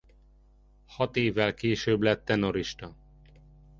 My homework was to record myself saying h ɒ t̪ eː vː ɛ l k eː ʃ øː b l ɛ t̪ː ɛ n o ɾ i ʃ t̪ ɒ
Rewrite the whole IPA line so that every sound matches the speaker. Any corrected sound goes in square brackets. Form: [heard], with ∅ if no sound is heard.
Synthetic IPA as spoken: h ɒ t̪ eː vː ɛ l k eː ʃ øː b l ɛ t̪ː ɛ n o ɾ i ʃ t̪ ɒ